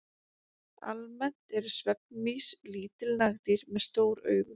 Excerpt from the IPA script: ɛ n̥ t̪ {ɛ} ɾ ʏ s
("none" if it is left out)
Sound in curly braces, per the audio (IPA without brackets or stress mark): ɛ